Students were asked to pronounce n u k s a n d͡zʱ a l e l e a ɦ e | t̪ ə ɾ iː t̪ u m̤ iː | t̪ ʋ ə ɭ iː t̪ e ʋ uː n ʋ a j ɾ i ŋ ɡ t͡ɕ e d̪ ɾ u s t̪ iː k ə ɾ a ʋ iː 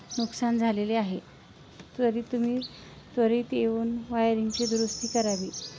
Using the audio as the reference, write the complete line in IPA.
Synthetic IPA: n u k s a n d͡zʱ a l e l e a ɦ e | t̪ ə ɾ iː t̪ u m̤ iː | t̪ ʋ ə ɾ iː t̪ e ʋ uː n ʋ a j ɾ i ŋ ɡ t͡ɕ e d̪ ɾ u s t̪ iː k ə ɾ a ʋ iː